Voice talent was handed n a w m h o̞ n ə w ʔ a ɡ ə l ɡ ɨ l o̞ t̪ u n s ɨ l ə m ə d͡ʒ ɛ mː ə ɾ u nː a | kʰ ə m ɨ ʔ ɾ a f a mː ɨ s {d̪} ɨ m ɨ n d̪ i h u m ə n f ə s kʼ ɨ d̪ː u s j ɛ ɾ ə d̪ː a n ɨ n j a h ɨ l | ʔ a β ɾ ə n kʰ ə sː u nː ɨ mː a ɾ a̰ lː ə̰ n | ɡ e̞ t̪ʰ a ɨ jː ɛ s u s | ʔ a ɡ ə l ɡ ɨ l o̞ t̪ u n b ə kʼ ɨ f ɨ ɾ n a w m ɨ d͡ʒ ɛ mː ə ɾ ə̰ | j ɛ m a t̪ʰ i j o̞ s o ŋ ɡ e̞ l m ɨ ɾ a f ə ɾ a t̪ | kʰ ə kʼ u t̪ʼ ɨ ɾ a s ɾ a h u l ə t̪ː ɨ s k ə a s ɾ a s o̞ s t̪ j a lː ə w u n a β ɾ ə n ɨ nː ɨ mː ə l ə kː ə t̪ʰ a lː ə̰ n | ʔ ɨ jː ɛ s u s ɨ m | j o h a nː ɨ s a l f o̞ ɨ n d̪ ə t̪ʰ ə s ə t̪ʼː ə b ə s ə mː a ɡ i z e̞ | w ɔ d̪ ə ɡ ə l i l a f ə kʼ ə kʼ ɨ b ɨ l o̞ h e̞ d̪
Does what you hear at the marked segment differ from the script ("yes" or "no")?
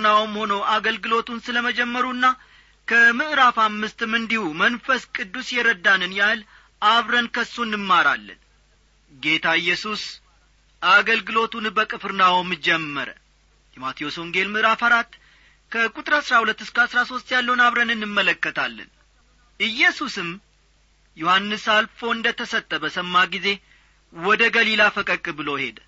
yes